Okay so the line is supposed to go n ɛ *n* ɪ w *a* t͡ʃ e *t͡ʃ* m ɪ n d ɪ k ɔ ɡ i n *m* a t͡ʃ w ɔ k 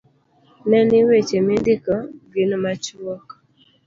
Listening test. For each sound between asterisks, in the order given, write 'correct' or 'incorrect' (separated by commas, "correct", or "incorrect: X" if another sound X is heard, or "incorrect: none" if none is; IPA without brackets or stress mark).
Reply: correct, incorrect: e, incorrect: none, correct